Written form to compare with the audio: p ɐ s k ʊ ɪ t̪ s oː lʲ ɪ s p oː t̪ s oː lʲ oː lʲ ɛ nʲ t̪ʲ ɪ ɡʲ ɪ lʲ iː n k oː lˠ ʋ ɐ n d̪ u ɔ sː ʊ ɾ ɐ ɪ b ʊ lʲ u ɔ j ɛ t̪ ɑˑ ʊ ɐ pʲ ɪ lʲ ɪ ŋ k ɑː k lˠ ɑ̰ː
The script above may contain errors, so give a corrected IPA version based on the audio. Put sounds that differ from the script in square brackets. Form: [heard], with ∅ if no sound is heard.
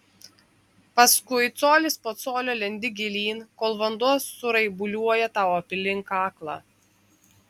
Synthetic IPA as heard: p ɐ s k ʊ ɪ t̪ s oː lʲ ɪ s p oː t̪ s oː lʲ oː lʲ ɛ nʲ [d̪ʲ] ɪ ɡʲ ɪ lʲ iː n k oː lˠ ʋ ɐ n d̪ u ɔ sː ʊ ɾ ɐ ɪ b ʊ lʲ u ɔ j ɛ t̪ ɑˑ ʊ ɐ pʲ ɪ lʲ ɪ ŋ k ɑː k lˠ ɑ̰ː